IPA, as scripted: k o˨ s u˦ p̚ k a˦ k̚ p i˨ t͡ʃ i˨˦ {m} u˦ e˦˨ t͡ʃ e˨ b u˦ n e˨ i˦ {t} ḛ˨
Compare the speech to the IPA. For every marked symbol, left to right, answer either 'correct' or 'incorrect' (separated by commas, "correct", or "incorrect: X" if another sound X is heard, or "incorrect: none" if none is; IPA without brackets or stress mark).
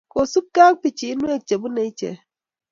incorrect: n, incorrect: t͡ʃ